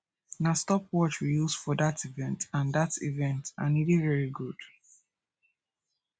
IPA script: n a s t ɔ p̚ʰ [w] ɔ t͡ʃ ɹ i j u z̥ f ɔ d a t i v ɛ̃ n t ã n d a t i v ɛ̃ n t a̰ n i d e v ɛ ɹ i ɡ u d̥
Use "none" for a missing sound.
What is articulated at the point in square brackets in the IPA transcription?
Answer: w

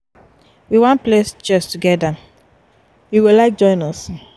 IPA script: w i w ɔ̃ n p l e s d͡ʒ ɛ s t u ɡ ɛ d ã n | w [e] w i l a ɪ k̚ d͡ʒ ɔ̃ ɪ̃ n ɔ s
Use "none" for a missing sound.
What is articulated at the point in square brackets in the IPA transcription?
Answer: i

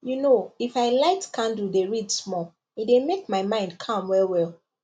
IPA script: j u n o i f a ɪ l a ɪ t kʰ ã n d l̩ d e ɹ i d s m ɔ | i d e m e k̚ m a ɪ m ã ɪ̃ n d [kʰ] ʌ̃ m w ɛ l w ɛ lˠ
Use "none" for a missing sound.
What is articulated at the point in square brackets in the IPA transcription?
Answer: kʰ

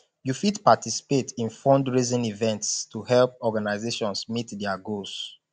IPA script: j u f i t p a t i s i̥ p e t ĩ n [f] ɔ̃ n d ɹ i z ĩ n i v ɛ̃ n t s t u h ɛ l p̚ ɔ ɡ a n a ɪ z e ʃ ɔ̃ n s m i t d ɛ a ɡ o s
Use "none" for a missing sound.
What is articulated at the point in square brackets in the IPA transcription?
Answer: f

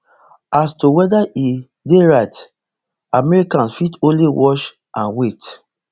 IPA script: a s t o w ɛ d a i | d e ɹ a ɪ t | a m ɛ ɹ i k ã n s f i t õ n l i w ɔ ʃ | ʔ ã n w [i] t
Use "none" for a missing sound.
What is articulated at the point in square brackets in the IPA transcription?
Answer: e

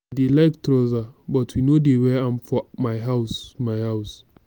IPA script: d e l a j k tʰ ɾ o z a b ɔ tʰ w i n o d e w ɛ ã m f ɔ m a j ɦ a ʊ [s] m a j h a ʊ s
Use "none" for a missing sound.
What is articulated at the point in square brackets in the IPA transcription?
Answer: s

